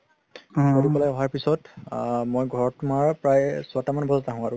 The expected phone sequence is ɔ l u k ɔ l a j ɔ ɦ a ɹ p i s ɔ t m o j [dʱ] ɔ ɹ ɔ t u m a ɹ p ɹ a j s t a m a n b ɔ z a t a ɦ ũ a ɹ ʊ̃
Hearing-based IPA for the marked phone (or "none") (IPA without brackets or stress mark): ɡʱ